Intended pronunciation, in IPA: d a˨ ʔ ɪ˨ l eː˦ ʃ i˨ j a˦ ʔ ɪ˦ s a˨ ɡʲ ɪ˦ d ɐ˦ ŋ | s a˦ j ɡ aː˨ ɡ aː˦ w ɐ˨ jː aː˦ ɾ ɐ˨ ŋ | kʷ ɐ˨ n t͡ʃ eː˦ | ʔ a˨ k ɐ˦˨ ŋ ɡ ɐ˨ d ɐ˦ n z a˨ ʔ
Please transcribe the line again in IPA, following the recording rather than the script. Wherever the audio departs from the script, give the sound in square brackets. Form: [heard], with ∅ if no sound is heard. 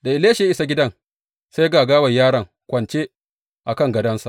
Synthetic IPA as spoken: d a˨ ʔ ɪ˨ l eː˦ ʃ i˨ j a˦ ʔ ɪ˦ s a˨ ɡʲ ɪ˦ d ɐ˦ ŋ | s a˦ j ɡ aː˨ ɡ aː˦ w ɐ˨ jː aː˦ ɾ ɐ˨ ŋ | kʷ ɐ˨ n t͡ʃ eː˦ | ʔ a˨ k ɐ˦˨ ŋ ɡ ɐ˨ d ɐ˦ n [s] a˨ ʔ

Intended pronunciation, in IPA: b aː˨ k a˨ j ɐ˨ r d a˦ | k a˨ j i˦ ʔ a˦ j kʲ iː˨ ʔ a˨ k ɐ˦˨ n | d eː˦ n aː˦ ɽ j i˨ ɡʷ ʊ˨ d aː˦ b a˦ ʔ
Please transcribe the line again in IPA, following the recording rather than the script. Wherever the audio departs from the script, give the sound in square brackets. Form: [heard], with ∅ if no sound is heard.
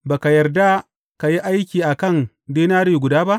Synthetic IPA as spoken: b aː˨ k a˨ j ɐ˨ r d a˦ | k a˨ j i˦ ʔ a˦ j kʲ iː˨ ʔ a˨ k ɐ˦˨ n | d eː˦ n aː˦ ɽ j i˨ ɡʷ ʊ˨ d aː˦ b a˦ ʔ

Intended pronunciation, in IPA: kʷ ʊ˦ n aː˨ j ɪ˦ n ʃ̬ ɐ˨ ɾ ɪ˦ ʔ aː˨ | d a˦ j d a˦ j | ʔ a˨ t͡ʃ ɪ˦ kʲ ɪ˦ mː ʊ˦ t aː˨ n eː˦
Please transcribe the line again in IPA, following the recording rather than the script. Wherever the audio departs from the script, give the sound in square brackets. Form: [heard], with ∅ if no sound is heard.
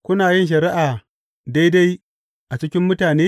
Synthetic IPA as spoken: kʷ ʊ˦ n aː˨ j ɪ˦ n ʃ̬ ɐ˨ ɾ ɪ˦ ʔ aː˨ | d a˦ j d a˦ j | ʔ a˨ t͡ʃ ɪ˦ kʲ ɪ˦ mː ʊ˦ t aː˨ n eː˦

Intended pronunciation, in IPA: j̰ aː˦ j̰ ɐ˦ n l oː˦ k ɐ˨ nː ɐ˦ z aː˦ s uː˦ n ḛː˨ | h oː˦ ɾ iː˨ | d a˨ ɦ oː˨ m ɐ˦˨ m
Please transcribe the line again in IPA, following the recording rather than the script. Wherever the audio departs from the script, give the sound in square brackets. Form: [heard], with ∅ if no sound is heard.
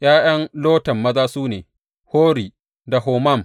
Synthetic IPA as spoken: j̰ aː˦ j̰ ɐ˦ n l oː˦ [t] ɐ˨ [mː] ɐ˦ z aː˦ s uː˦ n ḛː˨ | h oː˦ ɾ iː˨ | d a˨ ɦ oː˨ m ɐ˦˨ m

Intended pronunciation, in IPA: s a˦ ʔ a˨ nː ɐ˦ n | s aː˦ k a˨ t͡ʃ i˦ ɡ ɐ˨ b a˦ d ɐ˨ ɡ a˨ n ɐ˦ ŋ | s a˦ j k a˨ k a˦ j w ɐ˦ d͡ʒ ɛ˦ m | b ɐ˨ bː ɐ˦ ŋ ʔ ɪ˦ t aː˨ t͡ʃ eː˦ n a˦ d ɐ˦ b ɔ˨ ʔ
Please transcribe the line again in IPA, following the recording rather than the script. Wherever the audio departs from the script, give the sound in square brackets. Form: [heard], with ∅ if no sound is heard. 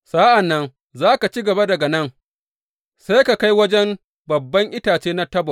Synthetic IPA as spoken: s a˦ ʔ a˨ nː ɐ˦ n | [z] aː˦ k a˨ t͡ʃ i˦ ɡ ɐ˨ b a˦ d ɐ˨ ɡ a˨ n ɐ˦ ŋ | s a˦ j k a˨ k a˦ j w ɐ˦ d͡ʒ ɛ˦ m | b ɐ˨ bː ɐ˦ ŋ ʔ ɪ˦ t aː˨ t͡ʃ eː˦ n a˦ [t] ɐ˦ b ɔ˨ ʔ

